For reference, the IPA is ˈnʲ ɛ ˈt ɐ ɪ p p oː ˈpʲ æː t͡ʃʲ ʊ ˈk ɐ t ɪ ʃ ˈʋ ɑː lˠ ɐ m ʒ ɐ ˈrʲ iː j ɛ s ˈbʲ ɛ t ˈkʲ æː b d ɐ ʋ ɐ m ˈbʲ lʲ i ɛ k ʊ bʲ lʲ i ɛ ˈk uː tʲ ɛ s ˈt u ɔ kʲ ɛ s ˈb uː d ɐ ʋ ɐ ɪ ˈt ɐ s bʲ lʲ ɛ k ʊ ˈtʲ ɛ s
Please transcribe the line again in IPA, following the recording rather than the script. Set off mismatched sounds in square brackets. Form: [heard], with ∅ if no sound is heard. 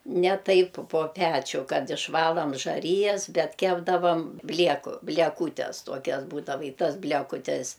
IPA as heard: ˈnʲ ɛ ˈt ɐ ɪ p p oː ˈpʲ æː t͡ʃʲ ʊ ˈk ɐ t ɪ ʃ ˈʋ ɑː lˠ ɐ m ʒ ɐ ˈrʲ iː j ɛ s ˈbʲ ɛ t ˈkʲ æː b d ɐ ʋ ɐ m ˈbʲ lʲ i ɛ k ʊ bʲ lʲ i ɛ ˈk uː tʲ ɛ s ˈt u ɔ kʲ ɛ s ˈb uː d ɐ ʋ ɐ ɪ ˈt ɐ s bʲ lʲ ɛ k ʊ ˈtʲ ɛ s

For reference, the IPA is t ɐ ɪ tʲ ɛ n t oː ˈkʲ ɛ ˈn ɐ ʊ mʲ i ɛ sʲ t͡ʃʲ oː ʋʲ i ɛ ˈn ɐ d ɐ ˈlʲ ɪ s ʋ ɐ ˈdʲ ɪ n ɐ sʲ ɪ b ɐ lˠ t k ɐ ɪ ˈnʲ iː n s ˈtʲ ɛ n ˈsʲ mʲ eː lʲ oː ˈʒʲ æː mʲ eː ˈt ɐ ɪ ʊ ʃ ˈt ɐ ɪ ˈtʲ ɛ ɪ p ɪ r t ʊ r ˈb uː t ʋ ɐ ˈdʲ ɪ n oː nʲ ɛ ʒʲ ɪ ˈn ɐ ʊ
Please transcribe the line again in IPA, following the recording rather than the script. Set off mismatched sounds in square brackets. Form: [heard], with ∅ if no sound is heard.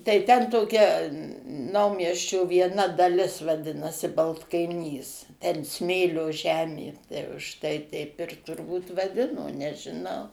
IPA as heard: t ɐ ɪ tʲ ɛ n t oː ˈkʲ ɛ ˈn ɐ ʊ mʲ i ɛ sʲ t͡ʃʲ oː ʋʲ i ɛ ˈn ɐ d ɐ ˈlʲ ɪ s ʋ ɐ ˈdʲ ɪ n ɐ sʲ ɪ b ɐ lˠ t k ɐ ɪ ˈnʲ iː [∅] s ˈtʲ ɛ n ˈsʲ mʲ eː lʲ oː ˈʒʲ æː mʲ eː ˈt ɐ ɪ ʊ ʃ ˈt ɐ ɪ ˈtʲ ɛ ɪ p ɪ r t ʊ r ˈb uː t ʋ ɐ ˈdʲ ɪ n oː nʲ ɛ ʒʲ ɪ ˈn ɐ ʊ

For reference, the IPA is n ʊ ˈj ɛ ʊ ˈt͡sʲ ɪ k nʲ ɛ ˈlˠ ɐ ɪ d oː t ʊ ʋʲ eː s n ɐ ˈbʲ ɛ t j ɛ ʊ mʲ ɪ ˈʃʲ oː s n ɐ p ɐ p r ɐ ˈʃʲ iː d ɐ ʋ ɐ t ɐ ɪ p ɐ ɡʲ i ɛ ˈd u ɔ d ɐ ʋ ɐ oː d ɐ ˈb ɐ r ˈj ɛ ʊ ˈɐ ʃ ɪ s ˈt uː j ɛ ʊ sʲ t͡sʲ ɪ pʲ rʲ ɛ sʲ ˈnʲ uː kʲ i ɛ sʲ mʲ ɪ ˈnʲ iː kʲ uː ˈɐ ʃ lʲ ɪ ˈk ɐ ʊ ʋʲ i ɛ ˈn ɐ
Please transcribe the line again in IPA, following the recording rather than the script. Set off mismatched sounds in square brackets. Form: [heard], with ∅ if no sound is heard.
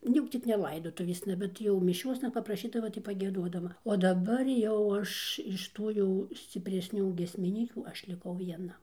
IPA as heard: n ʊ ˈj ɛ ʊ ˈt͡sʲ ɪ k nʲ ɛ ˈlˠ ɐ ɪ d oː t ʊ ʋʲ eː s n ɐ ˈbʲ ɛ t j ɛ ʊ mʲ ɪ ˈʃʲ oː s n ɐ p ɐ p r ɐ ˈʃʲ iː d ɐ ʋ ɐ t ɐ ɪ p ɐ ɡʲ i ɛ ˈd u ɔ d ɐ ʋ ɐ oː d ɐ ˈb ɐ r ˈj ɛ ʊ ˈɐ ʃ ɪ [ʃ] ˈt uː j ɛ ʊ sʲ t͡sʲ ɪ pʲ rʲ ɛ sʲ ˈnʲ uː [ɡʲ] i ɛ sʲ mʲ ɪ ˈnʲ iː kʲ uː ˈɐ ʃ lʲ ɪ ˈk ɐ ʊ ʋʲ i ɛ ˈn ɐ

